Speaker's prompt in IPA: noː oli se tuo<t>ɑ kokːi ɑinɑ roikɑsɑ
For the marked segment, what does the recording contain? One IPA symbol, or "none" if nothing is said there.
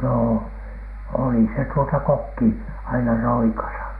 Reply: t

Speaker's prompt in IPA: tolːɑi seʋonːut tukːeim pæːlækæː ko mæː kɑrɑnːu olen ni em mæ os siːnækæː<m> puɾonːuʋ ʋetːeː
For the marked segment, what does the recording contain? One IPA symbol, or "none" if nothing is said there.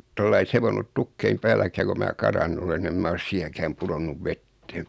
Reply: m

